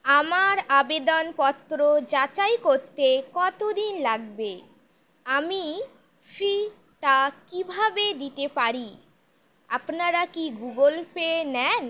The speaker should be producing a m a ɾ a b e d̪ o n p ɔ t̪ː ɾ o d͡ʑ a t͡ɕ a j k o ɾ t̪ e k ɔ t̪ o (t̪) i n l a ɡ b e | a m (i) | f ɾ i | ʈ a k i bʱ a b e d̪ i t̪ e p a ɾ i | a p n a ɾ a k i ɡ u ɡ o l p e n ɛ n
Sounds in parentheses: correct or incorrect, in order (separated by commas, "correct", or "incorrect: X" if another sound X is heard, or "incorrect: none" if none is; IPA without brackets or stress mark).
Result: incorrect: d̪, correct